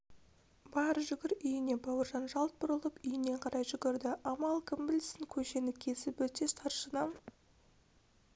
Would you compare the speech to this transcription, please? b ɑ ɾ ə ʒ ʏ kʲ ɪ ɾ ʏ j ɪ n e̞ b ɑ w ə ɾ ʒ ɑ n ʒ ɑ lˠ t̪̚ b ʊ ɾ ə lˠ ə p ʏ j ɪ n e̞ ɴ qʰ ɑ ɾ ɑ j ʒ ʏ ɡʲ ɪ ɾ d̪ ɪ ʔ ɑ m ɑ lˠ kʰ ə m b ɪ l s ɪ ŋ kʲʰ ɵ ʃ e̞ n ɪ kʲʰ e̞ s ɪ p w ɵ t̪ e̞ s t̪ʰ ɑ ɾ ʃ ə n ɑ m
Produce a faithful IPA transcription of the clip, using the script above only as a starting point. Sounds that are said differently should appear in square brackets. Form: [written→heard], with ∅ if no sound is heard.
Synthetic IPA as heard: b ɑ ɾ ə ʒ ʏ [kʲ→ɡʲ] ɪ ɾ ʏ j ɪ n e̞ b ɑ w ə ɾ ʒ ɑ n ʒ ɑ lˠ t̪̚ b ʊ ɾ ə lˠ ə p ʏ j ɪ n e̞ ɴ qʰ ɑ ɾ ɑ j ʒ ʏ ɡʲ ɪ ɾ d̪ ɪ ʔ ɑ m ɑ lˠ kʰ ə m b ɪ l s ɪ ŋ kʲʰ ɵ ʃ e̞ n ɪ kʲʰ e̞ s ɪ p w ɵ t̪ e̞ s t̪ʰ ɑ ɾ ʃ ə n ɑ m

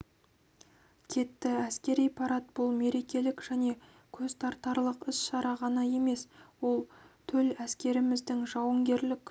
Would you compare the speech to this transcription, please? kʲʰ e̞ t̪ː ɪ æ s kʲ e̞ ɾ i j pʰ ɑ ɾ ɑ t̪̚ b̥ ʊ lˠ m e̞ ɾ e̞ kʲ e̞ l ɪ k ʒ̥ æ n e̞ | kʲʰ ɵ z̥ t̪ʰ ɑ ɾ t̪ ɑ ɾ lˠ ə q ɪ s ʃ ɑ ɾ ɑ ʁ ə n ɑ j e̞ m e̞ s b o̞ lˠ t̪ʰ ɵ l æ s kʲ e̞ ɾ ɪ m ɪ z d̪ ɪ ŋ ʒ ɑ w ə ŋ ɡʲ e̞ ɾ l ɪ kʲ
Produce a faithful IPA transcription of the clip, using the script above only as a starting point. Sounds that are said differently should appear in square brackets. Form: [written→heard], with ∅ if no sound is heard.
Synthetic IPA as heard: kʲʰ e̞ t̪ː ɪ æ s kʲ e̞ ɾ i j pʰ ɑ ɾ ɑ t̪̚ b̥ ʊ lˠ m e̞ ɾ e̞ kʲ e̞ l ɪ k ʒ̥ æ n e̞ | kʲʰ ɵ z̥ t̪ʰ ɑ ɾ t̪ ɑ ɾ lˠ ə q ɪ s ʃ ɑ ɾ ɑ ʁ [ə→ɑ] n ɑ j e̞ m e̞ s [b→w] o̞ lˠ t̪ʰ ɵ l æ s kʲ e̞ ɾ ɪ m ɪ z d̪ ɪ ŋ ʒ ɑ w ə ŋ ɡʲ e̞ ɾ l ɪ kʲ

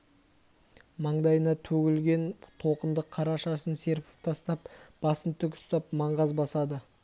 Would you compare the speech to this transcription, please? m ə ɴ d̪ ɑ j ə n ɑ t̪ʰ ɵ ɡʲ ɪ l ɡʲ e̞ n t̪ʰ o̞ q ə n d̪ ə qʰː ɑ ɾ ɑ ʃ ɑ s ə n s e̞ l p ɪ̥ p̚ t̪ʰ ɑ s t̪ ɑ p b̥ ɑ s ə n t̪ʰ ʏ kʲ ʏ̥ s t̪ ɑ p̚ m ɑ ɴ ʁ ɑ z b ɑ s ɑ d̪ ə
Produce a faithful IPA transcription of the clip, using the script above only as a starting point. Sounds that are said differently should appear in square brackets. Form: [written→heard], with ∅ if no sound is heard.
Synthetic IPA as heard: m [ə→ɑ] ɴ d̪ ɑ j ə n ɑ t̪ʰ ɵ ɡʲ ɪ l ɡʲ e̞ n t̪ʰ o̞ q ə n d̪ ə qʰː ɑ ɾ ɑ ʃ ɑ s ə n s e̞ [l→ɾ] p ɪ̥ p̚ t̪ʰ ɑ s t̪ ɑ p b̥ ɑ s ə n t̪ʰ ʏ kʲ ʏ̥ s t̪ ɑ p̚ m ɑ ɴ ʁ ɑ z b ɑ s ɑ d̪ ə

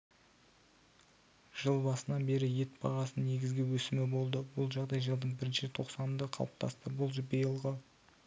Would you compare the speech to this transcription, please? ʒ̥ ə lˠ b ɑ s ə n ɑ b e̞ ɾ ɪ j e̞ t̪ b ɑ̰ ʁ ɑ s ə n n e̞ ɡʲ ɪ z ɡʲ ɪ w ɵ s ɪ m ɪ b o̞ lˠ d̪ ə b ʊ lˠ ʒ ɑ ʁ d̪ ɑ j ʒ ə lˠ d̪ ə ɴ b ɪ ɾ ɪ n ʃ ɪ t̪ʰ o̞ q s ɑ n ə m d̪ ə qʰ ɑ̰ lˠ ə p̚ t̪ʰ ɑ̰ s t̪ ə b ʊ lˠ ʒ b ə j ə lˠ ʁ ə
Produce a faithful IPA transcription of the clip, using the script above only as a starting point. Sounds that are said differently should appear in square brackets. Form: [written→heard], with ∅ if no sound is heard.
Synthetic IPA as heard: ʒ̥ ə lˠ b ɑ s ə n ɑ b e̞ ɾ ɪ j e̞ t̪ b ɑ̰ ʁ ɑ s ə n n e̞ ɡʲ ɪ z ɡʲ ɪ w ɵ s ɪ m ɪ b o̞ lˠ d̪ ə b ʊ lˠ ʒ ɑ ʁ d̪ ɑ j ʒ ə lˠ d̪ ə ɴ b ɪ ɾ ɪ n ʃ ɪ t̪ʰ o̞ q s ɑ n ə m d̪ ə qʰ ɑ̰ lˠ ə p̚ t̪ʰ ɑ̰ s t̪ ə b ʊ lˠ ʒ b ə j ə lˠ ʁ ə

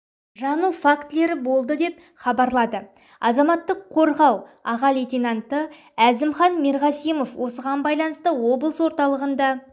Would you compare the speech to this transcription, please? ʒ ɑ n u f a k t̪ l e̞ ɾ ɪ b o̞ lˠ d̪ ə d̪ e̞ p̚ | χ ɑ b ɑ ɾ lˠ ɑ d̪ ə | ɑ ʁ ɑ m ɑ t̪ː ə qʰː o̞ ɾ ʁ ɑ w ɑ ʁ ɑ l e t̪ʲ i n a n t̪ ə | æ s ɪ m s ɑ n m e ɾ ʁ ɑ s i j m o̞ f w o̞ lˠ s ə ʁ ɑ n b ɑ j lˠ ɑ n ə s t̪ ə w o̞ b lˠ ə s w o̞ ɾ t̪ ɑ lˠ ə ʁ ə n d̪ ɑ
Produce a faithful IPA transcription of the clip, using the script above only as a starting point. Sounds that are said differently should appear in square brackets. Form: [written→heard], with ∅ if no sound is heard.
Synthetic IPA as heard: ʒ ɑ n u f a k t̪ l e̞ ɾ ɪ b o̞ lˠ d̪ ə d̪ e̞ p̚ | χ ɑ b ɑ ɾ lˠ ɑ d̪ ə | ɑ [ʁ→z] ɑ m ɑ t̪ː ə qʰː o̞ ɾ ʁ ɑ w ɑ ʁ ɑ l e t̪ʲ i n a n t̪ ə | æ [s→z] ɪ m [s→χ] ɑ n m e ɾ ʁ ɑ s i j m o̞ f w o̞ [lˠ→∅] s ə ʁ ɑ n b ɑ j lˠ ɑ n ə s t̪ ə w o̞ b lˠ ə s w o̞ ɾ t̪ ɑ lˠ ə ʁ ə n d̪ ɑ

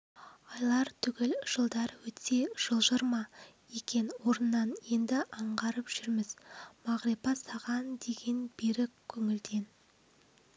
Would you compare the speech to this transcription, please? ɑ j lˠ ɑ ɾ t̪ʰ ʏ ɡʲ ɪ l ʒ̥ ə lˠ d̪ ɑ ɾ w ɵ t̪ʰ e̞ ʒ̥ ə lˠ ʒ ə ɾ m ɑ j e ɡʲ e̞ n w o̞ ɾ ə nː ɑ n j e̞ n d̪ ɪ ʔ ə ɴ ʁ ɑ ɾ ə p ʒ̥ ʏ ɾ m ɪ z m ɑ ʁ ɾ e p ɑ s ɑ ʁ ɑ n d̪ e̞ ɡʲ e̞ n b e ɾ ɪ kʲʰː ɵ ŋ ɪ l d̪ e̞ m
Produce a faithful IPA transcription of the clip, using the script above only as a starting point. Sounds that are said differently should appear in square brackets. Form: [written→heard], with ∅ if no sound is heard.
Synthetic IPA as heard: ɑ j lˠ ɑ ɾ t̪ʰ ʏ ɡʲ ɪ l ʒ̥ ə lˠ d̪ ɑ ɾ w ɵ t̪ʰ e̞ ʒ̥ ə lˠ ʒ ə ɾ m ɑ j e [ɡʲ→kʲ] e̞ n w o̞ ɾ ə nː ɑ n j e̞ n d̪ ɪ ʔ [ə→ɑ] ɴ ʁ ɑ ɾ ə p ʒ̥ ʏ ɾ m ɪ z m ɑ ʁ ɾ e p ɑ s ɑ ʁ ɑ n d̪ e̞ ɡʲ e̞ n b e ɾ ɪ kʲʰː ɵ ŋ ɪ l d̪ e̞ [m→n]

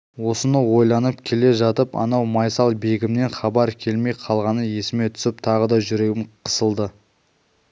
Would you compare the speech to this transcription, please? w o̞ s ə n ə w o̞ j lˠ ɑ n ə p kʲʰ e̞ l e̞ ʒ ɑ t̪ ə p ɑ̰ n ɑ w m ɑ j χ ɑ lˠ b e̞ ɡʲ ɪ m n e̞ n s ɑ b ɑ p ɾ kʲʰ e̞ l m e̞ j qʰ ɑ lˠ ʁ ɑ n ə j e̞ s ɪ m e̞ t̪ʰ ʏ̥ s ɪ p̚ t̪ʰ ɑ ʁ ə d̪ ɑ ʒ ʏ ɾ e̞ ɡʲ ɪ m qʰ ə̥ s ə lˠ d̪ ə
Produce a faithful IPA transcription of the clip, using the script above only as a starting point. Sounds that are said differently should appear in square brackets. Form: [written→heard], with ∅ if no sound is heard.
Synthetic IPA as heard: w o̞ s ə n ə w o̞ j lˠ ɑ n ə p kʲʰ e̞ l e̞ ʒ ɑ t̪ ə p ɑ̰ n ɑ w m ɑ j [χ→s] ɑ lˠ b e̞ ɡʲ ɪ m n e̞ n [s→χ] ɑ b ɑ [p→∅] ɾ kʲʰ e̞ l m e̞ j qʰ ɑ lˠ ʁ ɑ n ə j e̞ s ɪ m e̞ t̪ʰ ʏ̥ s ɪ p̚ t̪ʰ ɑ ʁ ə d̪ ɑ ʒ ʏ ɾ e̞ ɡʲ ɪ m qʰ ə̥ s ə lˠ d̪ ə

